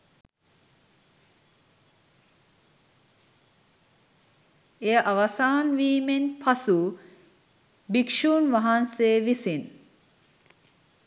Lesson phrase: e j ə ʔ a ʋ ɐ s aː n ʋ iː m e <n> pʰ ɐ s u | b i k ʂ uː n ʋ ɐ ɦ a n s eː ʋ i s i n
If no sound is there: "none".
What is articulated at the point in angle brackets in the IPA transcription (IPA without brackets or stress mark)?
n